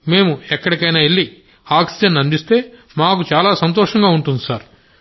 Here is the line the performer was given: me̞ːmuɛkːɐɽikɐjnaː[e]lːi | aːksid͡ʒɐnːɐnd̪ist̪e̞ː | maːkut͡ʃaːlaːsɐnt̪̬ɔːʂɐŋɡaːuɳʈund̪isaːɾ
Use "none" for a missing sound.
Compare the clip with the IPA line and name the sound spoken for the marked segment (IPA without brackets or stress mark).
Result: e